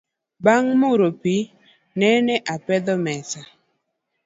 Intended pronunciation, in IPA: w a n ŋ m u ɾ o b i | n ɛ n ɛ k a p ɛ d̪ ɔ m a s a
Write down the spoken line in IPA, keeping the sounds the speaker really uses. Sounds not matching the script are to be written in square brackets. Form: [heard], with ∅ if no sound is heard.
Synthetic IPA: [b] a [∅] ŋ m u ɾ o [p] i | n ɛ n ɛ [ʔ] a p ɛ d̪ ɔ m [ɛ] s a

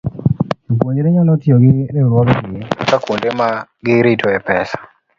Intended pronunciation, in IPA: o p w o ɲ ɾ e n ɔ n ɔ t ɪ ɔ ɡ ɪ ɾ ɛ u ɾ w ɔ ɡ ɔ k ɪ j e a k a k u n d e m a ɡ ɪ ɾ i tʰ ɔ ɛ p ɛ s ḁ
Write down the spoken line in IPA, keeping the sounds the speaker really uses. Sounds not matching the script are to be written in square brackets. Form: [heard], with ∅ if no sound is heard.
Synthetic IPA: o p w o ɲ ɾ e [ɲ] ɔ n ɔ t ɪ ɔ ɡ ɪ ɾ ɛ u ɾ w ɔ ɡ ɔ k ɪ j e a k a k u n d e m a ɡ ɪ ɾ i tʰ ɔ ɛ p ɛ s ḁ

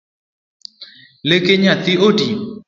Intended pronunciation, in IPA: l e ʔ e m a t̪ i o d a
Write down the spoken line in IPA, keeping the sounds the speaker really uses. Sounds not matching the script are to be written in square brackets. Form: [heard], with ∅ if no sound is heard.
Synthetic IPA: l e [k] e [ɲ] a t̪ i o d [i]

